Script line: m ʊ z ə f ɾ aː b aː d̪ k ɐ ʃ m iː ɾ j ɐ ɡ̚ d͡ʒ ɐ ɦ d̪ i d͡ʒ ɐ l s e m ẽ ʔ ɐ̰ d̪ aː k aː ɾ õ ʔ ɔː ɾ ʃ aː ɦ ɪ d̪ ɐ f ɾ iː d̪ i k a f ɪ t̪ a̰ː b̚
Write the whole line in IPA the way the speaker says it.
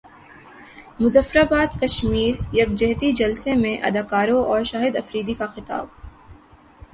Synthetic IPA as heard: m ʊ z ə f ɾ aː b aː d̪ k ɐ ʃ m iː ɾ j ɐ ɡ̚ d͡ʒ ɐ ɦ t̪ i d͡ʒ ɐ l s e m ẽ ʔ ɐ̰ d̪ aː k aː ɾ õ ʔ ɔː ɾ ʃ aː ɦ ɪ d̪ ɐ f ɾ iː d̪ i k a x ɪ t̪ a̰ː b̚